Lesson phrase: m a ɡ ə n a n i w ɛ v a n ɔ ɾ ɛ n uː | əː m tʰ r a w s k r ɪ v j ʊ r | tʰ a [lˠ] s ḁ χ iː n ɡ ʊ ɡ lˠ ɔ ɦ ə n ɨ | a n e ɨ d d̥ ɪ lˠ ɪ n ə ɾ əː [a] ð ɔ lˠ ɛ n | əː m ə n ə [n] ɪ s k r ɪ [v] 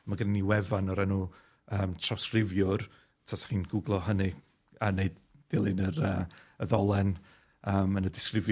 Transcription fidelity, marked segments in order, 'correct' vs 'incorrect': incorrect: none, incorrect: ə, incorrect: d, correct

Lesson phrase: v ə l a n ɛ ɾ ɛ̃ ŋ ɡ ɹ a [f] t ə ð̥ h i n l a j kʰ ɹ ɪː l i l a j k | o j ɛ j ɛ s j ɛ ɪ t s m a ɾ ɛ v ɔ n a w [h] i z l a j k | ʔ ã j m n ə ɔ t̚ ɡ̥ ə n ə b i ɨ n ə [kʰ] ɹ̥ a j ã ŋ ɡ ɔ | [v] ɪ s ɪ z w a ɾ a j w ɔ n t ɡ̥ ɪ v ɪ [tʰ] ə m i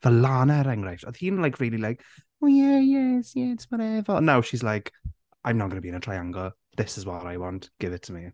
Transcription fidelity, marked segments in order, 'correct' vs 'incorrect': correct, incorrect: ʃ, incorrect: tʰ, incorrect: ð, correct

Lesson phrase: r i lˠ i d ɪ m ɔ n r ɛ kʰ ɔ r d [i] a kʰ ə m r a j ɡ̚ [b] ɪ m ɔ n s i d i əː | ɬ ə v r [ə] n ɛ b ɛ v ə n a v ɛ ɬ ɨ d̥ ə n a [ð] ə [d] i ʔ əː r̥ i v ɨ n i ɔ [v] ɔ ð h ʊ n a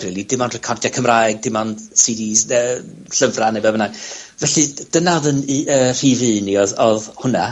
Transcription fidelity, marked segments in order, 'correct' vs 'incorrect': incorrect: j, incorrect: d, incorrect: a, correct, incorrect: n, incorrect: ð

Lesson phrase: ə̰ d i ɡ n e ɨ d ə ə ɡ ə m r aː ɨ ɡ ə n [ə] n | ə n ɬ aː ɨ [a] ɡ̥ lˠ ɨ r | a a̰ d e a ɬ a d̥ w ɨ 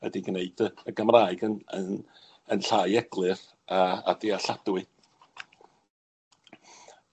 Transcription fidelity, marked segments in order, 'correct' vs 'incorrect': correct, incorrect: ɛ

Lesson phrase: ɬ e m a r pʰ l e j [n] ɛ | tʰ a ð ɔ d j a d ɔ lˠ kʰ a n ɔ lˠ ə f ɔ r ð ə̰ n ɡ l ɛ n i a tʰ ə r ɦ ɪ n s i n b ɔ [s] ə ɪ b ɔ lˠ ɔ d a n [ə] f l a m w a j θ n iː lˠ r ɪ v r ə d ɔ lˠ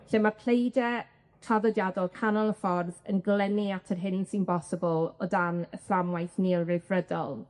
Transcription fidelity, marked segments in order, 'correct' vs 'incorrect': incorrect: d, correct, correct

